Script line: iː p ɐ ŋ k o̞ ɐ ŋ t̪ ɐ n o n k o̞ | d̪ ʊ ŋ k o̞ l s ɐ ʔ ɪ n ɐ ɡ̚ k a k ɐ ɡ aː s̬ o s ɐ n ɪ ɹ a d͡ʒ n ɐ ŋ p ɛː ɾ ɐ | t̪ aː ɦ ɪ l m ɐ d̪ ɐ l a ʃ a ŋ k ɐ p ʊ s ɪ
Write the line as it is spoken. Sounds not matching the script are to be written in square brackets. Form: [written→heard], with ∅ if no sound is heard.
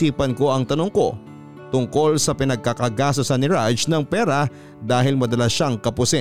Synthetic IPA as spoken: iː p ɐ [ŋ→n] k o̞ ɐ ŋ t̪ ɐ n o [n→ŋ] k o̞ | [d̪→t̪] ʊ ŋ k o̞ l s ɐ [ʔ→p] ɪ n ɐ ɡ̚ k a k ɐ ɡ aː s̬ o s ɐ n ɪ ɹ a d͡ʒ n ɐ ŋ p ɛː ɾ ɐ | [t̪→d̪] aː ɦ ɪ l m ɐ d̪ ɐ l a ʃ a ŋ k ɐ p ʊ s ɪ